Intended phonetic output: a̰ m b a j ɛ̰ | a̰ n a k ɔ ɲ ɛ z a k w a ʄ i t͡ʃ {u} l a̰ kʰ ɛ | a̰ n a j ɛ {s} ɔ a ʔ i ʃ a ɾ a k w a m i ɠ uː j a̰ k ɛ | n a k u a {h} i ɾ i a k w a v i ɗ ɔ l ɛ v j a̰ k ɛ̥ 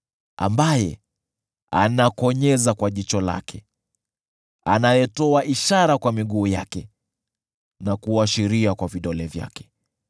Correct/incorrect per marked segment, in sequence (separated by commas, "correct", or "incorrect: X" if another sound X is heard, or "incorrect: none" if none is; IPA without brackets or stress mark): incorrect: ɔ, incorrect: t, incorrect: ʃ